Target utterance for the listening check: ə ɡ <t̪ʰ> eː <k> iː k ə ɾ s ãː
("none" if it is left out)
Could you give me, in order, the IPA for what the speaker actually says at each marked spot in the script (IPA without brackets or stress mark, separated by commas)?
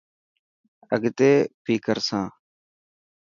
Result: t̪, p